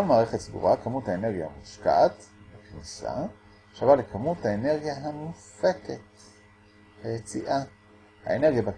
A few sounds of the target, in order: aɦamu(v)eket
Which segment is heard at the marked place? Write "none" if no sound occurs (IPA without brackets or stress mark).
f